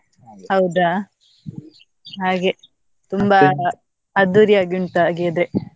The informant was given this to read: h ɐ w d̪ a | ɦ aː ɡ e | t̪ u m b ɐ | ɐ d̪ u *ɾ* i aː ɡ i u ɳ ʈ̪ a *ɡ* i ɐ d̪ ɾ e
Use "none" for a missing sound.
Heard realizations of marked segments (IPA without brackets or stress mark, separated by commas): ɾ, ɡ